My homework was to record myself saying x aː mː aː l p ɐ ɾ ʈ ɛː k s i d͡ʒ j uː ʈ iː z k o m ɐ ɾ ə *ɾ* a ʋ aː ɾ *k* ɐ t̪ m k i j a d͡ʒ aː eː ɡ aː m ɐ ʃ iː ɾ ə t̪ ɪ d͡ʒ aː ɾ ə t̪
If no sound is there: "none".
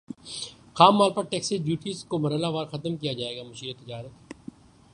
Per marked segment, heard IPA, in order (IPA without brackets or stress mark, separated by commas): l, x